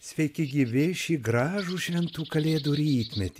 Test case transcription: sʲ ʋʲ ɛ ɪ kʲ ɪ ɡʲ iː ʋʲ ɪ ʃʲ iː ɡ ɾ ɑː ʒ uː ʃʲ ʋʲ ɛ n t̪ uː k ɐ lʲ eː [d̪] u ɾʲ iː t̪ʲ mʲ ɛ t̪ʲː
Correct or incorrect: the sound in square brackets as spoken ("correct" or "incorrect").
correct